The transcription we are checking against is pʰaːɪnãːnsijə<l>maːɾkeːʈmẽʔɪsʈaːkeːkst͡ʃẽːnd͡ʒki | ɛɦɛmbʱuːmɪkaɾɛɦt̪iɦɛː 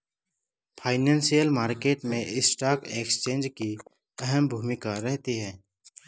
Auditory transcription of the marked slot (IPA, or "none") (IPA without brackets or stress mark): l